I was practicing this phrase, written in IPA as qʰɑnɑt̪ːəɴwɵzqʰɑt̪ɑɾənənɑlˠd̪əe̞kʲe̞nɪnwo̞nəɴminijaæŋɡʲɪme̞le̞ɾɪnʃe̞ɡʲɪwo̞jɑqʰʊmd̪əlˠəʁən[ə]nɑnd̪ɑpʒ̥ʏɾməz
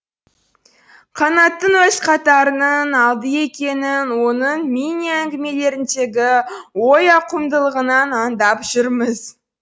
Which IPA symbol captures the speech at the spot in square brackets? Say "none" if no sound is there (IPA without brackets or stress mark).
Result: ɑ